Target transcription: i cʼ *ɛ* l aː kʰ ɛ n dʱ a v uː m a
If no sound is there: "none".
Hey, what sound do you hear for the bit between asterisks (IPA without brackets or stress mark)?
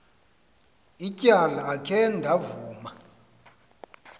a